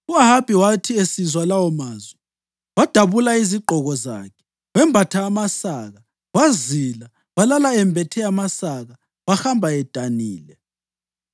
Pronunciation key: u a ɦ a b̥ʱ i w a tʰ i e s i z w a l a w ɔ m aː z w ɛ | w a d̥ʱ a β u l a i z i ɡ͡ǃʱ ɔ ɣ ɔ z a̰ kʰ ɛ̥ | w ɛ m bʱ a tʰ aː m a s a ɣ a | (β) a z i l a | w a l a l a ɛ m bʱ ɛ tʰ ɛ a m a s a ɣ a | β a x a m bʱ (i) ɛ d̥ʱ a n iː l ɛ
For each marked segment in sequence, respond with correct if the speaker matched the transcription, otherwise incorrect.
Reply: incorrect: w, incorrect: a

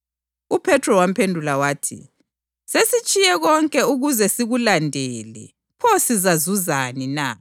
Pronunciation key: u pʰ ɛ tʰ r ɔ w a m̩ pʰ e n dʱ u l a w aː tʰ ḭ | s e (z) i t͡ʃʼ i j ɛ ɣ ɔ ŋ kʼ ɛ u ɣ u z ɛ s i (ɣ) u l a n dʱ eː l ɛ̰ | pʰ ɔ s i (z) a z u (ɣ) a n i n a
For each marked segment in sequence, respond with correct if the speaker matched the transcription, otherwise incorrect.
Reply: incorrect: s, correct, correct, incorrect: z

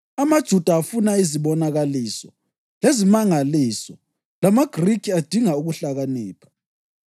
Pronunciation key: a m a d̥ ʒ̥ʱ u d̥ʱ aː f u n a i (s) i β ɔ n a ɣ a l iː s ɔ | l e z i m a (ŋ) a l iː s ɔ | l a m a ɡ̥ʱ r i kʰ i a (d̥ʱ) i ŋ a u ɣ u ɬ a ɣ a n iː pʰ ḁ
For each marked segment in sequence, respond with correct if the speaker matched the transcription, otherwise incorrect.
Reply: incorrect: z, correct, correct

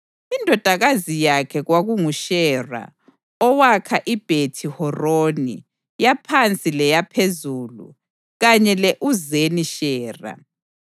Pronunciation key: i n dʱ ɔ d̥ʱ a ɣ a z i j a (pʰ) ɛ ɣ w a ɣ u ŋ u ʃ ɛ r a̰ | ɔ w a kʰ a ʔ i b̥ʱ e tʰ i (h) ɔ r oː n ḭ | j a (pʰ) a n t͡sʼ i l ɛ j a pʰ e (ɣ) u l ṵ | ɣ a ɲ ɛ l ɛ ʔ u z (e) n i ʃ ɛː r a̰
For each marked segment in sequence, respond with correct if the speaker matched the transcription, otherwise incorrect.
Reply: incorrect: kʰ, correct, correct, incorrect: z, correct

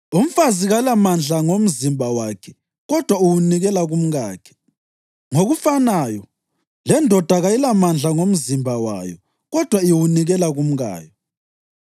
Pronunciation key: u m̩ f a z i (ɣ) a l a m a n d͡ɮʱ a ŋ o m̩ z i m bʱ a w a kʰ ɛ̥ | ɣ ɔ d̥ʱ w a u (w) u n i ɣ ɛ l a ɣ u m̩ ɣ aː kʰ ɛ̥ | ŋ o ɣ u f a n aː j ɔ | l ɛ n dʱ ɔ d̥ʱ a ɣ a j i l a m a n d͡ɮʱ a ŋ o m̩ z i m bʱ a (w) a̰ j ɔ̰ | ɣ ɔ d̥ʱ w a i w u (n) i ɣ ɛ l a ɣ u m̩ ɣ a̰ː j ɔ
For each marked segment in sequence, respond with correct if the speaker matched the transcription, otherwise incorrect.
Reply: correct, correct, correct, correct

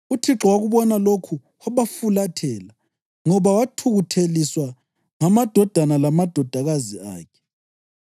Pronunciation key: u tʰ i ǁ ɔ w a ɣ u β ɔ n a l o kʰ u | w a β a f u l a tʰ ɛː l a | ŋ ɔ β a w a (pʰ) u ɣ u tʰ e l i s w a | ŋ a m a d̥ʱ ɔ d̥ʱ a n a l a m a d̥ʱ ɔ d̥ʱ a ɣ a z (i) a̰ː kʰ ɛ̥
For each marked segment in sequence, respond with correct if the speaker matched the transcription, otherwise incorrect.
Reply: incorrect: tʰ, correct

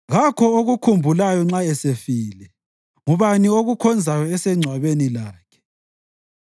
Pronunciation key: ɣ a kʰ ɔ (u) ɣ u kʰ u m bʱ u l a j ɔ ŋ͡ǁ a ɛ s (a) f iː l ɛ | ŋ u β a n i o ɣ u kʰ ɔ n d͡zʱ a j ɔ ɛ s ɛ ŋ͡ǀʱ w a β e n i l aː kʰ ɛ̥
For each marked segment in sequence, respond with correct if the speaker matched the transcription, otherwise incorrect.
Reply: incorrect: o, incorrect: e

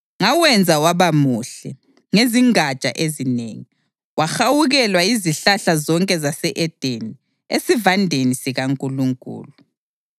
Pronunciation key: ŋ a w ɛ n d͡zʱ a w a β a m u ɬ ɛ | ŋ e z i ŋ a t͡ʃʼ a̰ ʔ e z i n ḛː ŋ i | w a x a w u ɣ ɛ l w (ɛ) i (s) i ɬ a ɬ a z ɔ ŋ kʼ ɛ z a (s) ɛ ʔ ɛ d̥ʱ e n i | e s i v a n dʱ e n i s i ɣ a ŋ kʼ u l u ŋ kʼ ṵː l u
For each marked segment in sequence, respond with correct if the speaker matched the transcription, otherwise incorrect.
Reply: incorrect: a, incorrect: z, correct

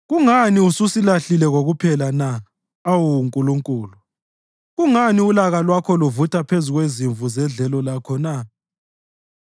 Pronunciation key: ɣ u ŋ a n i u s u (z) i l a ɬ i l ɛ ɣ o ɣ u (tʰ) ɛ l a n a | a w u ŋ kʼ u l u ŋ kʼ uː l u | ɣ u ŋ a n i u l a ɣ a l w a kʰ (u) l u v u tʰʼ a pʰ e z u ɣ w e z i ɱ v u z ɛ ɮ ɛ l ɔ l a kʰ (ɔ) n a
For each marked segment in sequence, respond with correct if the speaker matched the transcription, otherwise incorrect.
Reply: incorrect: s, incorrect: pʰ, incorrect: ɔ, correct

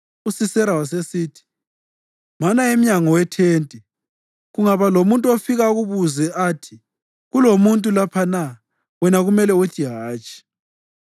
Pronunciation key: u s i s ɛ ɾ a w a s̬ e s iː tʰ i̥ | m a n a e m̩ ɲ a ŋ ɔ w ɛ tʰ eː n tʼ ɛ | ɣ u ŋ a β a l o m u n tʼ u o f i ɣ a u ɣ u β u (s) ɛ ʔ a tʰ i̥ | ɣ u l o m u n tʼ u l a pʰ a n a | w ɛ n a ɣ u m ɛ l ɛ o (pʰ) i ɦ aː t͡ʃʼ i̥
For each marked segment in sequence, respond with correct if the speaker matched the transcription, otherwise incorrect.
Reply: incorrect: z, incorrect: tʰ

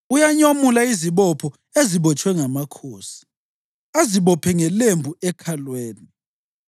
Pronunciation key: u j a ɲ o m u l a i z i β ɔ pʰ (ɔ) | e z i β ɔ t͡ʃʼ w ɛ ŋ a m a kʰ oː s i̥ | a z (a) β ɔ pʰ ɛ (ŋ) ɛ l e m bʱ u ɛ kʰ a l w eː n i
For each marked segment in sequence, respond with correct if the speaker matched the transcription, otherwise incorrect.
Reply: correct, incorrect: i, correct

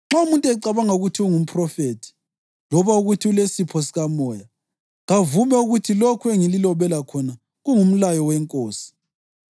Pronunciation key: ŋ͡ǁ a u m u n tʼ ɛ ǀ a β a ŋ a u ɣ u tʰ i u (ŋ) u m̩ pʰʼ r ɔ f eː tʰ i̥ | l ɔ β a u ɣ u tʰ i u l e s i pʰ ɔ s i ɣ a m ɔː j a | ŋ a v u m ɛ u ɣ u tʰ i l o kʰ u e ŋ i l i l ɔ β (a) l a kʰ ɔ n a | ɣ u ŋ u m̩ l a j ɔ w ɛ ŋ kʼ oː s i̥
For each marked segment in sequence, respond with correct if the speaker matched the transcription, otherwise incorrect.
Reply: correct, incorrect: ɛ

